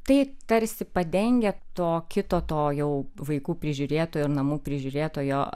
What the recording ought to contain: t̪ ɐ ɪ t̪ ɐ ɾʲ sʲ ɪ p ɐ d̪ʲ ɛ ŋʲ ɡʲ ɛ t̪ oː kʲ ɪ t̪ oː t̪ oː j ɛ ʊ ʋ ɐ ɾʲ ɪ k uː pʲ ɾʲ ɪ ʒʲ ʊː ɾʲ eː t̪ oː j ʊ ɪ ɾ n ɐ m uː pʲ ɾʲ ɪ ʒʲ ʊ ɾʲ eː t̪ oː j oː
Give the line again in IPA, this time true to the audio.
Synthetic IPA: t̪ ɐ ɪ t̪ ɐ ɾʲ sʲ ɪ p ɐ d̪ʲ ɛ ŋʲ ɡʲ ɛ t̪ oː kʲ ɪ t̪ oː t̪ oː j ɛ ʊ ʋ ɐ ɪ k uː pʲ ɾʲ ɪ ʒʲ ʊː ɾʲ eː t̪ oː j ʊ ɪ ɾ n ɐ m uː pʲ ɾʲ ɪ ʒʲ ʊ ɾʲ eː t̪ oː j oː